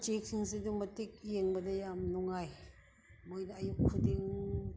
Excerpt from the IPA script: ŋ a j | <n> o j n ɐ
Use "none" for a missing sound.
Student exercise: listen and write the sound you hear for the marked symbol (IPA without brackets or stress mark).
m